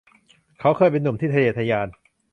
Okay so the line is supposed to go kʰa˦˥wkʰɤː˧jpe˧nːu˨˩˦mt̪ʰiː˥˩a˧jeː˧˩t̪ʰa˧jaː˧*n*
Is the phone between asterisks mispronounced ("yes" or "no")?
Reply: no